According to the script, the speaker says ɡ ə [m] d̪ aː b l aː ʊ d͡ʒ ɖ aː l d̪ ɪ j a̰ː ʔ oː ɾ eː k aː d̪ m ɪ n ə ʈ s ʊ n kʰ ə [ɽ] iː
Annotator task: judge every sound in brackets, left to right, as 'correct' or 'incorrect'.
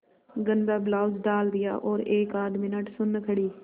incorrect, correct

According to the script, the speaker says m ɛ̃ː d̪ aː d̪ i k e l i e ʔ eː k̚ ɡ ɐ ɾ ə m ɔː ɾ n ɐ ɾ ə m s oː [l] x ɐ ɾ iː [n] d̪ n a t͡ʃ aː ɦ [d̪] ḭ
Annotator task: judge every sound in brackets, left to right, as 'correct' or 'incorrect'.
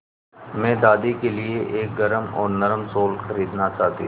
correct, incorrect, incorrect

